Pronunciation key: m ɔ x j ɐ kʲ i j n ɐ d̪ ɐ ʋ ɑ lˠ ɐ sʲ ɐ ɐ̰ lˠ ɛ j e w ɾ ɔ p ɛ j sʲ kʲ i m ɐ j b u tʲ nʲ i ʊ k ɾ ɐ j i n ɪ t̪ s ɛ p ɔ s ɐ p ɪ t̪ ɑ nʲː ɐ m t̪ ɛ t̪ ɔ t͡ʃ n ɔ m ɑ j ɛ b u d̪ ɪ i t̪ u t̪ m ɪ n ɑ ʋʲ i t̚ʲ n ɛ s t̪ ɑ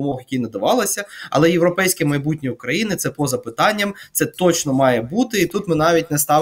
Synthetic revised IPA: m ɔ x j ɐ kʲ i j n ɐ d̪ ɐ ʋ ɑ lˠ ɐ sʲ ɐ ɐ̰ lˠ ɛ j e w ɾ ɔ p ɛ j sʲ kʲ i m ɐ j b u tʲ nʲ i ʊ k ɾ ɐ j i n ɪ t̪ s ɛ p ɔ z ɐ p ɪ t̪ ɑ nʲː ɐ m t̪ ɛ t̪ ɔ t͡ʃ n ɔ m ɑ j ɛ b u t̪ ɪ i t̪ u t̪ m ɪ n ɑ ʋʲ i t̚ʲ n ɛ s t̪ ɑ